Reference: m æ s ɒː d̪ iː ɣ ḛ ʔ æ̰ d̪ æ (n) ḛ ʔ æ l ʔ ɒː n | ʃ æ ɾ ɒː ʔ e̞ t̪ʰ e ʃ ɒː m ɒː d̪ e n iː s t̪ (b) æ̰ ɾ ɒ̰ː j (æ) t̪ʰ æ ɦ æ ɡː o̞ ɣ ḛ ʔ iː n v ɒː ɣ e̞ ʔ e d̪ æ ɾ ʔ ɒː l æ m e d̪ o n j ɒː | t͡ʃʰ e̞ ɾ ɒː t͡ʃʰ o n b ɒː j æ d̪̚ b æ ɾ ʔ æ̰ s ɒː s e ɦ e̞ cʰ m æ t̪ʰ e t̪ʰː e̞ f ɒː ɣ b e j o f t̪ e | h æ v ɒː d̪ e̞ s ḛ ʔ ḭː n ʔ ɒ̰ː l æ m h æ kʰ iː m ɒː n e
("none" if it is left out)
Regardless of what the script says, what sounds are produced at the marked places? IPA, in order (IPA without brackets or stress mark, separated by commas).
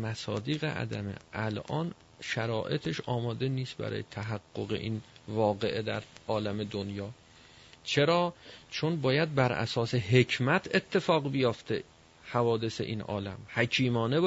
m, b, e